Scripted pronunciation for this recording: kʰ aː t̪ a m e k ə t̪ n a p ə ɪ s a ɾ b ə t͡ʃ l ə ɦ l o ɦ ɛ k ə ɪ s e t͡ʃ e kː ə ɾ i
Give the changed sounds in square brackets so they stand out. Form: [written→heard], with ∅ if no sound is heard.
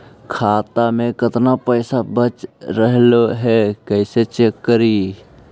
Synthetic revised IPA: kʰ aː t̪ a m e k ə t̪ n a p ə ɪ s a [ɾ→∅] b ə t͡ʃ [l→ɾ] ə ɦ l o ɦ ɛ k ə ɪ s e t͡ʃ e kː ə ɾ i

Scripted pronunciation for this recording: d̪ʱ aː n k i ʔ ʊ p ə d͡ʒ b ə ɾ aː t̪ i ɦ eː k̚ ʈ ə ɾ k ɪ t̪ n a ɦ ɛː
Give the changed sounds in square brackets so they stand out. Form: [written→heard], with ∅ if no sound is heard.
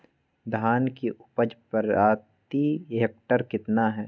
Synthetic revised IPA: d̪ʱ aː n k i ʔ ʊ p ə d͡ʒ [b→p] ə ɾ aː t̪ i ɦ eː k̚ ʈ ə ɾ k ɪ t̪ n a ɦ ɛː

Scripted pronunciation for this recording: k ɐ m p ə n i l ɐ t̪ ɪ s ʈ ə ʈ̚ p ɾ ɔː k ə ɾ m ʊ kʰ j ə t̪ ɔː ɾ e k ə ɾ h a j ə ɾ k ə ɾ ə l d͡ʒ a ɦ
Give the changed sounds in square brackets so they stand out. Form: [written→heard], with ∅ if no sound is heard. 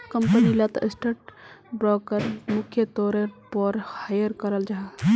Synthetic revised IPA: k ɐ m p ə n i l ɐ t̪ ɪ s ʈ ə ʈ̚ [p→b] ɾ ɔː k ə ɾ m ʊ kʰ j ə t̪ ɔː ɾ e [k→p] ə ɾ h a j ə ɾ k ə ɾ ə l d͡ʒ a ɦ

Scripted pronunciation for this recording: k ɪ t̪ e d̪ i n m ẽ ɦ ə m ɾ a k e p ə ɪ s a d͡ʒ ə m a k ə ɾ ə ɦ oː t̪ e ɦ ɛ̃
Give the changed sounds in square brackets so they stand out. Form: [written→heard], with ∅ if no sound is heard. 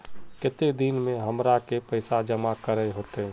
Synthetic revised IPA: k ɪ t̪ e d̪ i n m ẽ ɦ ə m ɾ a k e p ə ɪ s a d͡ʒ ə m a k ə ɾ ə ɦ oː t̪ e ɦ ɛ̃

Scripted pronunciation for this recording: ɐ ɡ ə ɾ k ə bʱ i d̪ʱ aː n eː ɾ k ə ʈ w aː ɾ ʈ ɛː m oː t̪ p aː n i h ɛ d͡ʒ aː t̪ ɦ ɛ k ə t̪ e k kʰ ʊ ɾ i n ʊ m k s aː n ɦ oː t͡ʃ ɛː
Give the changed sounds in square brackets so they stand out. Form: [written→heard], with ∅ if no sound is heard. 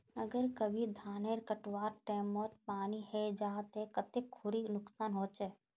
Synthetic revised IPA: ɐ ɡ ə ɾ k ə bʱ i d̪ʱ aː n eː ɾ k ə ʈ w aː ɾ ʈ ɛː m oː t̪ p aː n i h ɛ d͡ʒ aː t̪ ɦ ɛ k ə t̪ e k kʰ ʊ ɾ i n ʊ [m→∅] k s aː n ɦ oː t͡ʃ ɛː

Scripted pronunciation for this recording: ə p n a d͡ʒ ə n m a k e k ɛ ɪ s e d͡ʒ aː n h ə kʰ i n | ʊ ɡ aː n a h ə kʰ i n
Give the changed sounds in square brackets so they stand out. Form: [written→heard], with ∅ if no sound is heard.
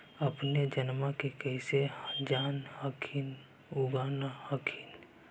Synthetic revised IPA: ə p n [a→e] d͡ʒ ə n m a k e k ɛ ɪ s e d͡ʒ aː n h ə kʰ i n | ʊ ɡ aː n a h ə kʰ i n

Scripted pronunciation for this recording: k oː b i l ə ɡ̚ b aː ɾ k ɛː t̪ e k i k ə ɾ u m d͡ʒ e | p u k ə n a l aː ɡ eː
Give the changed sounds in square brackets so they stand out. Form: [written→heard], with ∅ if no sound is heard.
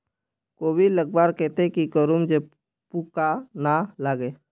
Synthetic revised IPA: k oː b i l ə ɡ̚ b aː ɾ k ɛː t̪ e k i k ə ɾ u m d͡ʒ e | p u k [ə→a] n a l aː ɡ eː

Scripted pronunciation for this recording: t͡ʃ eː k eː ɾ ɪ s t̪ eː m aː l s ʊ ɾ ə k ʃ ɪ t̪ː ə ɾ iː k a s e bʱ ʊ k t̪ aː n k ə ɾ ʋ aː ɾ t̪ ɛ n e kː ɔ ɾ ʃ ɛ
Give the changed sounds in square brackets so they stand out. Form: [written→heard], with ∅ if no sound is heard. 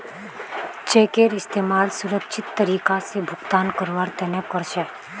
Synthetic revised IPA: t͡ʃ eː k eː ɾ ɪ s t̪ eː m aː l s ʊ ɾ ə k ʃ ɪ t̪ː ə ɾ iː k a s e bʱ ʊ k t̪ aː n k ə ɾ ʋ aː ɾ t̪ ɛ n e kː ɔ ɾ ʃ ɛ

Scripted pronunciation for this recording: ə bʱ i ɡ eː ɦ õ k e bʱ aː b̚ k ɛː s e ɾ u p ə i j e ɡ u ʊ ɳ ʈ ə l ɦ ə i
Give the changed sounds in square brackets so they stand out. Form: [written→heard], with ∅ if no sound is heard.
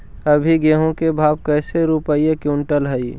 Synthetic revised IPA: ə bʱ i ɡ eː ɦ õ k e bʱ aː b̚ k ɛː s e ɾ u p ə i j e [ɡ→k] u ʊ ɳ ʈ ə l ɦ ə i

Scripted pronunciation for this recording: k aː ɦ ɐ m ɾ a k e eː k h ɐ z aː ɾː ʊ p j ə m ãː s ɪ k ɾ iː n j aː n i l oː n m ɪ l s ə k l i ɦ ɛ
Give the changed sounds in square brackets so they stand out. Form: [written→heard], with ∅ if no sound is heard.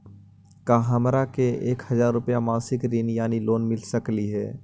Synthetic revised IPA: k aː ɦ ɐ m ɾ a k e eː k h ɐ z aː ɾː ʊ p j [ə→a] m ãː s ɪ k ɾ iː n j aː n i l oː n m ɪ l s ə k l i ɦ [ɛ→ɛː]

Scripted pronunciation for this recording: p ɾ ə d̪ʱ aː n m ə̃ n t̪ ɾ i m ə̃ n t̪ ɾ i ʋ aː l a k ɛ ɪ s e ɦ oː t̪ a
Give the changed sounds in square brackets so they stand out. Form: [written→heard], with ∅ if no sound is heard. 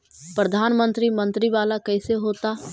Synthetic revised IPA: p ɾ ə d̪ʱ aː n m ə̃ n t̪ ɾ i m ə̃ n t̪ ɾ i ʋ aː l a k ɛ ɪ s e ɦ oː t̪ a

